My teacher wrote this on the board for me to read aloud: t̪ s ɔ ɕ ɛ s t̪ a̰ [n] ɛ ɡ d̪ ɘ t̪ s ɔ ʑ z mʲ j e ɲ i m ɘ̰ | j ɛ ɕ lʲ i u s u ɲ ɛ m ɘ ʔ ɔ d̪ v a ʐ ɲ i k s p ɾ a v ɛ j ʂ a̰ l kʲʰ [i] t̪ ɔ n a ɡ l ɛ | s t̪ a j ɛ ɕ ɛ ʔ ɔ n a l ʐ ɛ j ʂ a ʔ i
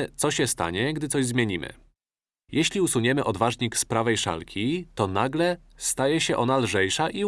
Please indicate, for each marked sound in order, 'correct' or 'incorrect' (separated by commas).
incorrect, correct